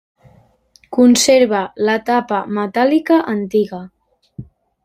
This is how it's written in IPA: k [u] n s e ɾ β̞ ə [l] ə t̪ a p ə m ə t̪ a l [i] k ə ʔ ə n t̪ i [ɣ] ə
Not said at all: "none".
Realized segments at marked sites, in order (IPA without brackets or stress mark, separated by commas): u, l, i, ɣ